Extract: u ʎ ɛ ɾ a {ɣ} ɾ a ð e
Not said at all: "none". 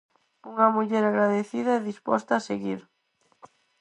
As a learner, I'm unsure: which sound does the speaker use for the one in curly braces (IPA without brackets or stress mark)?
ɣ